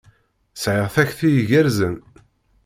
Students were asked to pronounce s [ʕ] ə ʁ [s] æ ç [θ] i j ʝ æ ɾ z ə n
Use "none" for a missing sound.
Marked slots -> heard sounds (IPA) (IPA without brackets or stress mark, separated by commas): ʕ, θ, θ